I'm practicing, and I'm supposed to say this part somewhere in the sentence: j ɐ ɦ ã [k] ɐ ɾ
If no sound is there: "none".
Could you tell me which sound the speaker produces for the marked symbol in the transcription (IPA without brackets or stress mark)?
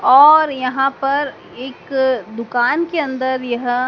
p